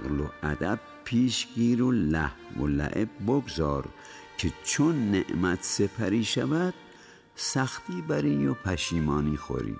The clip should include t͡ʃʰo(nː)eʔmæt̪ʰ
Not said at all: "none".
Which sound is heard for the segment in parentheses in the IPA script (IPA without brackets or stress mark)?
nː